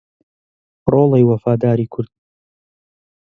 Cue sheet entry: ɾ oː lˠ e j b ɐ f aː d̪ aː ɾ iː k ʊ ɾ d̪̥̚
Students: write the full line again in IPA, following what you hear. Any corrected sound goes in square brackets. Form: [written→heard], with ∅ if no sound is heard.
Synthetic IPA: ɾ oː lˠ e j [b→w] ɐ f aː d̪ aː ɾ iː [k→kʰ] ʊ ɾ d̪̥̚